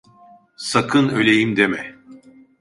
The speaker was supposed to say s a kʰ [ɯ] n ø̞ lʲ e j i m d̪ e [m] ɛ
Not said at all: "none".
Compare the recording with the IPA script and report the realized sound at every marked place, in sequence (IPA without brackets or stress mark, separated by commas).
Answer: ɯ, m